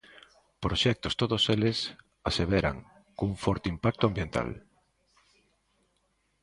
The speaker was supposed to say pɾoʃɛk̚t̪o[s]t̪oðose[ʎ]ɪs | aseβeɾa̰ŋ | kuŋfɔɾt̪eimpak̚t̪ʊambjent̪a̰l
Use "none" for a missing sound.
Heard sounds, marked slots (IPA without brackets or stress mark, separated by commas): s, l